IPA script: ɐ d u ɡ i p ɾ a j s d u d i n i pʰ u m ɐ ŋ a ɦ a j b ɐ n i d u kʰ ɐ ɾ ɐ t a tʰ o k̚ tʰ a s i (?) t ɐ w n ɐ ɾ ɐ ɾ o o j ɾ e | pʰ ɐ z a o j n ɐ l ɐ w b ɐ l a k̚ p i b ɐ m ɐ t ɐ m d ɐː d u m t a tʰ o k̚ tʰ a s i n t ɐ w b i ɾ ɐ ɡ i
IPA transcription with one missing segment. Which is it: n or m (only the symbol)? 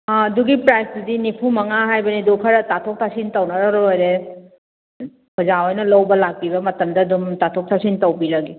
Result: n